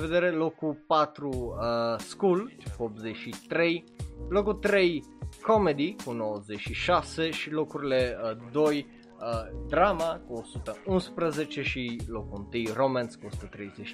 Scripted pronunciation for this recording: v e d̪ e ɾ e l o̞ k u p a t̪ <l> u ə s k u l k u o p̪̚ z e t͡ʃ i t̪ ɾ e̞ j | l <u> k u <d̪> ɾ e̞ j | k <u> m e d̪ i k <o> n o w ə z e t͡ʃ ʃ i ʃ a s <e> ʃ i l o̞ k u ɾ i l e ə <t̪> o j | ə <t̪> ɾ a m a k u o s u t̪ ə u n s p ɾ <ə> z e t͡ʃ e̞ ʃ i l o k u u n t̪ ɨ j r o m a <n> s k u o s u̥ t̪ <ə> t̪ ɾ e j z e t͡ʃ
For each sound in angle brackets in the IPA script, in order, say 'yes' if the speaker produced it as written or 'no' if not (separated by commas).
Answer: no, no, no, no, no, yes, no, no, yes, yes, yes